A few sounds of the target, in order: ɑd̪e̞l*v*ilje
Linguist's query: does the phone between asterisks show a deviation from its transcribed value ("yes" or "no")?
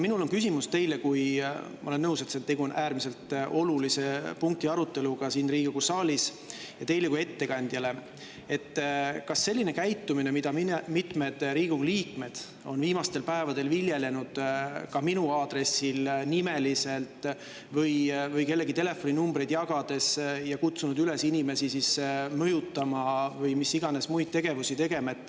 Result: no